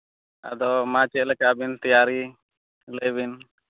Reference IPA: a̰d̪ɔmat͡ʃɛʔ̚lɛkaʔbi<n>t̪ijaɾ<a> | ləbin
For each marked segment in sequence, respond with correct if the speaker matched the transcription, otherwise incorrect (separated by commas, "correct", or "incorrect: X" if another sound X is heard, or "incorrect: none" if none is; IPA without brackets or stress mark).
correct, incorrect: i